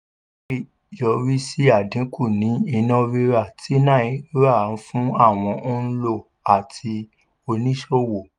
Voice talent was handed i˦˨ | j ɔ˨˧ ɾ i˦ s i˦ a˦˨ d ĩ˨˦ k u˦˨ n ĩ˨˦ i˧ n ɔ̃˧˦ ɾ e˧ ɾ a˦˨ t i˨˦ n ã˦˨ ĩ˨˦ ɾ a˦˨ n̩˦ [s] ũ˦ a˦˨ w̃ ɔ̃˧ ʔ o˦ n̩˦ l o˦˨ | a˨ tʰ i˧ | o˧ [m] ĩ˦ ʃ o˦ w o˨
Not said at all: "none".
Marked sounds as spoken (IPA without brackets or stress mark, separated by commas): f, n